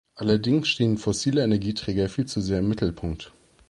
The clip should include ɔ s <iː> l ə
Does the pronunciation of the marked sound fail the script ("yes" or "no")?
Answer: no